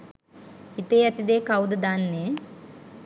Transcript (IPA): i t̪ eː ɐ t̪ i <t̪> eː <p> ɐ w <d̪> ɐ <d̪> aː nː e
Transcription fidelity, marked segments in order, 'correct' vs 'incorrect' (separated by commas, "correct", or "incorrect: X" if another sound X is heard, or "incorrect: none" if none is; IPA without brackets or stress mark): incorrect: d̪, incorrect: k, correct, correct